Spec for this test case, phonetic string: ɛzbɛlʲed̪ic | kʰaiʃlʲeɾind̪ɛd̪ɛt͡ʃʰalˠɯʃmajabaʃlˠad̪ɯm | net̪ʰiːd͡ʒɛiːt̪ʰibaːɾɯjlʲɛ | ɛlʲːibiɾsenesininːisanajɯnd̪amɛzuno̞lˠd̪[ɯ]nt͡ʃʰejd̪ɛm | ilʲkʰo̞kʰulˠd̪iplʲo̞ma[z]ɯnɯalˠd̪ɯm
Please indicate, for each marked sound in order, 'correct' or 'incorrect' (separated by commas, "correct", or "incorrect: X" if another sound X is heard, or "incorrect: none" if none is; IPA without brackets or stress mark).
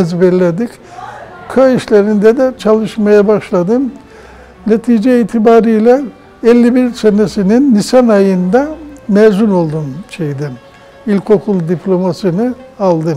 incorrect: u, incorrect: s